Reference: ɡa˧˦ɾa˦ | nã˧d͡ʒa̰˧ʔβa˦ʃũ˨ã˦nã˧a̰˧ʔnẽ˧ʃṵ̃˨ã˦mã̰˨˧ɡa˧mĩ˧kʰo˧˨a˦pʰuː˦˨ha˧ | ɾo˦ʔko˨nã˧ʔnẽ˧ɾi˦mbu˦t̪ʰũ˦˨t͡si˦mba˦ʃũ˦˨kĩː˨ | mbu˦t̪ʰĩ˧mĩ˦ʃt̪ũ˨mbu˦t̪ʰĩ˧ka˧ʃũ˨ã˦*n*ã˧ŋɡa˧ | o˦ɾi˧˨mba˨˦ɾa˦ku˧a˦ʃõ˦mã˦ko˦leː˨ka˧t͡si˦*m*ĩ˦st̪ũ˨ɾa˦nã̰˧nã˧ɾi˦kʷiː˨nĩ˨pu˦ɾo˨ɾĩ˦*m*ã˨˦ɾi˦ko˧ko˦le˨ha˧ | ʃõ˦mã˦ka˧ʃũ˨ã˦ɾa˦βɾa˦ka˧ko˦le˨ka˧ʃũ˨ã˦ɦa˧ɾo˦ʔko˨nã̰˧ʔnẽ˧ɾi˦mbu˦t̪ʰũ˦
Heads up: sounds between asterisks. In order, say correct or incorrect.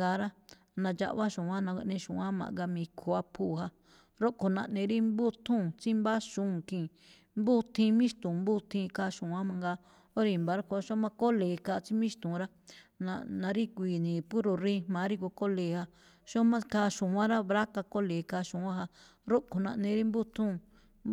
incorrect: m, correct, correct

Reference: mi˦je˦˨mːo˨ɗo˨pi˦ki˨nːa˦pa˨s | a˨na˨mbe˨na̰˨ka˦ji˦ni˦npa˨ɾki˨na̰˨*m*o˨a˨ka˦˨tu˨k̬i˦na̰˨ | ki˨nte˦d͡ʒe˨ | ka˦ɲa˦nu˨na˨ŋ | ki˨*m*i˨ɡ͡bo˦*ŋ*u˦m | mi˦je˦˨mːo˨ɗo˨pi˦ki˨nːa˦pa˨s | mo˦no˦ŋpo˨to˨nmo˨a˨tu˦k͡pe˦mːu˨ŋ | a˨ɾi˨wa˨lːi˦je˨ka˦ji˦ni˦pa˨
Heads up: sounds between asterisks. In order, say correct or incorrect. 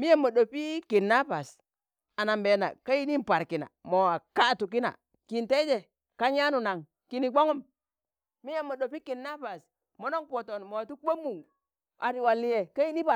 correct, incorrect: n, correct

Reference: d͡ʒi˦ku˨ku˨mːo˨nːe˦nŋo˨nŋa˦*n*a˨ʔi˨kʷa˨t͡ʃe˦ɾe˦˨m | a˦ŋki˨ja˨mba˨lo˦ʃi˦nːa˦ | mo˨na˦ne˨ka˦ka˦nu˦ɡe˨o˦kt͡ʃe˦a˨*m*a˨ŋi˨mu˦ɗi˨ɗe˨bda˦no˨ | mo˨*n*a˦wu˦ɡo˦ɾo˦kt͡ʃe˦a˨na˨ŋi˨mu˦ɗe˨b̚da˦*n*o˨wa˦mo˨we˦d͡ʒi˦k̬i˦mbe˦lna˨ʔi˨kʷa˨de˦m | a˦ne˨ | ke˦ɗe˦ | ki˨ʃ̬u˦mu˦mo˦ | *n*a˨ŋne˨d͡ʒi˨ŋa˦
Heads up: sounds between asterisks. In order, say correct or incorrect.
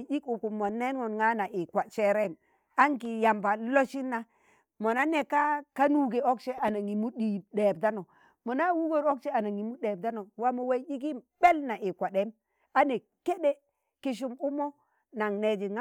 correct, incorrect: n, correct, correct, correct

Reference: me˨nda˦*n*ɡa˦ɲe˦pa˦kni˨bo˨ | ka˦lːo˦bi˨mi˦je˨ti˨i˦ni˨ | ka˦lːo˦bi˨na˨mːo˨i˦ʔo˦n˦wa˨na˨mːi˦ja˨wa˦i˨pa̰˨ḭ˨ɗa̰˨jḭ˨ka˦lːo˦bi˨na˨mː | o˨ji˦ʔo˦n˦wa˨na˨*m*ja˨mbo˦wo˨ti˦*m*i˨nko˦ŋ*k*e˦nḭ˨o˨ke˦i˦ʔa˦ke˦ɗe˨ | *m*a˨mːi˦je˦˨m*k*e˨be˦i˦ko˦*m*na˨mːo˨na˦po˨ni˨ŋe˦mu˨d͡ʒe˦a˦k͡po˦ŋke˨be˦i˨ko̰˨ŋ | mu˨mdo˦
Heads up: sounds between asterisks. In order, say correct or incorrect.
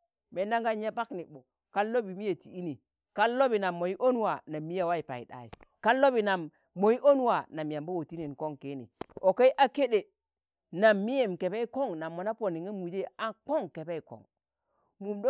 incorrect: ŋ, correct, incorrect: n, correct, incorrect: n, correct, incorrect: ŋ

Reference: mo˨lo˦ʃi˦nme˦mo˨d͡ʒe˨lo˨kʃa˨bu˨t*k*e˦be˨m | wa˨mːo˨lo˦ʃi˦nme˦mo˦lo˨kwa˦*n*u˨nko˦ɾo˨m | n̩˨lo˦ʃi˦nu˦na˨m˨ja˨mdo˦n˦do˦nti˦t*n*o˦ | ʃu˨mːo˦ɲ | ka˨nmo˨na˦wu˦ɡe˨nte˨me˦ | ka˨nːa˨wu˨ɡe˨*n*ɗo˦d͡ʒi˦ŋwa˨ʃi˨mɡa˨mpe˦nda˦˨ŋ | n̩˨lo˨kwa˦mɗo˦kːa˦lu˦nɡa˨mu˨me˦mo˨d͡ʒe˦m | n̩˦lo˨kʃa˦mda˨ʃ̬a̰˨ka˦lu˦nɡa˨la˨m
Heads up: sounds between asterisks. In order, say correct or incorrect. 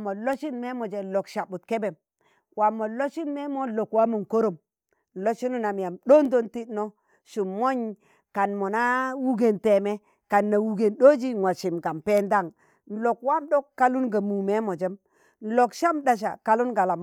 correct, incorrect: m, correct, correct

